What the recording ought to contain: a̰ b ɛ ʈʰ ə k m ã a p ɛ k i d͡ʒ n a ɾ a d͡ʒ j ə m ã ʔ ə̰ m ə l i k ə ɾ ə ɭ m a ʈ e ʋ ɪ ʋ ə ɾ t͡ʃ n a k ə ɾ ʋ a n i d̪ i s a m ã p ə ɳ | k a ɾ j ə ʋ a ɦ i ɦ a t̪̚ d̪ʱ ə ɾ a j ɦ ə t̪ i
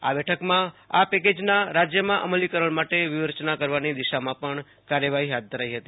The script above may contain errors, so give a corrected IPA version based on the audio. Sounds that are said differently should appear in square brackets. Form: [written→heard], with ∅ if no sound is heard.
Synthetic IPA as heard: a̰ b ɛ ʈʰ ə k m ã a p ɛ k [i→e] d͡ʒ n a ɾ a d͡ʒ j ə m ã ʔ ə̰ m ə l i k ə ɾ ə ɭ m a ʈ e ʋ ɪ ʋ ə ɾ t͡ʃ n a k ə ɾ ʋ a n i d̪ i [s→ʃ] a m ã p ə ɳ | k a ɾ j ə ʋ a ɦ i ɦ a t̪̚ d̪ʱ ə ɾ a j ɦ ə t̪ i